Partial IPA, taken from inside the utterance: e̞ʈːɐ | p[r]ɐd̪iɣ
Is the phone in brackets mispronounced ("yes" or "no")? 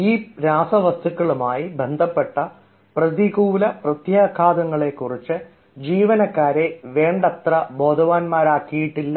no